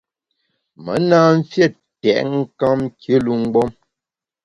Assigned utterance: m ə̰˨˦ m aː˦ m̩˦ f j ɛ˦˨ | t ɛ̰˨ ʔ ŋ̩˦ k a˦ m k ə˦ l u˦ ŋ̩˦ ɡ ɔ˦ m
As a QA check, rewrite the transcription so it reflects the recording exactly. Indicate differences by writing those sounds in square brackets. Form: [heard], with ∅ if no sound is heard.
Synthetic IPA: m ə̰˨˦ [n] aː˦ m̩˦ f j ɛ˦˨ | t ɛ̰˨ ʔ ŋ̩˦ k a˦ m k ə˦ l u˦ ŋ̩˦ [ɡ͡b] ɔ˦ m